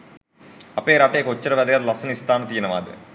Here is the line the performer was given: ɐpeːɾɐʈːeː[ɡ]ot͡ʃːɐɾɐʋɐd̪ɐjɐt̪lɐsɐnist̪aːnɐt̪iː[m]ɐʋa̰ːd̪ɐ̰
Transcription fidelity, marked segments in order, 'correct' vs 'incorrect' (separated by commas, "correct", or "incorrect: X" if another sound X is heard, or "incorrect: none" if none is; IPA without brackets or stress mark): incorrect: k, incorrect: n